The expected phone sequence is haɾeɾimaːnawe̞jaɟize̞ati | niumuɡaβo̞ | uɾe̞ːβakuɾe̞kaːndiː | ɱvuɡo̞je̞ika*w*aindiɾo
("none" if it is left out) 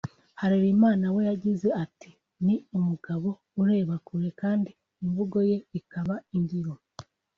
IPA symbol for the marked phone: β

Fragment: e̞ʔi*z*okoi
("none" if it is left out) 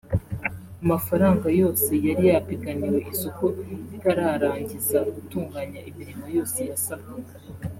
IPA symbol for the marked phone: s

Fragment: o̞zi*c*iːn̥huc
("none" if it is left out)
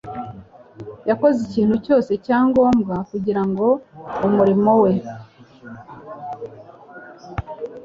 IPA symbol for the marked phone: c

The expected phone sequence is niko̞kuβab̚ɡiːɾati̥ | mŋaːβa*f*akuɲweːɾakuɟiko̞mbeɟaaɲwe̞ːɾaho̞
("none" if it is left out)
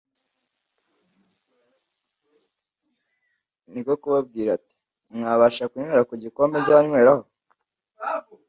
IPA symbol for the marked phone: ʃ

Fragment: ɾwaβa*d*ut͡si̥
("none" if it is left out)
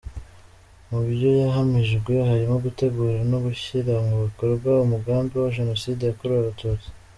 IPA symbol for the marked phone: t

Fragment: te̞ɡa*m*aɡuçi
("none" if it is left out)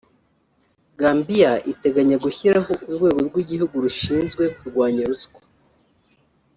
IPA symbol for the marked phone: ɲ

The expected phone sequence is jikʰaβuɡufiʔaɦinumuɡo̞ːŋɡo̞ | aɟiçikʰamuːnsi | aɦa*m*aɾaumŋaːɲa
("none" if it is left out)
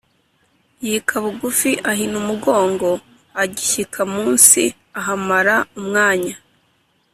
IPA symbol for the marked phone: m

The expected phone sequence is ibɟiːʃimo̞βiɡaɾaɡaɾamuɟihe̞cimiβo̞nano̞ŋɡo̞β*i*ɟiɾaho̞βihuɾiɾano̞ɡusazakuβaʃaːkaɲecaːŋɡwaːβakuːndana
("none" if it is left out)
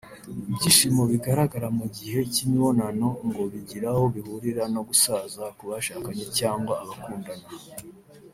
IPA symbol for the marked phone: i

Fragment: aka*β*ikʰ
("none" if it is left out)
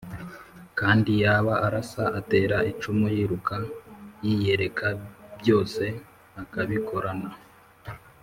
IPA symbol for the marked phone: β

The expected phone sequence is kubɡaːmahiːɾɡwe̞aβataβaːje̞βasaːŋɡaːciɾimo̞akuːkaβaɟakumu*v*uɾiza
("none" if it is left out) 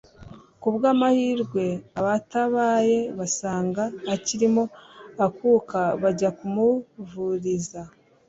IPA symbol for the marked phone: v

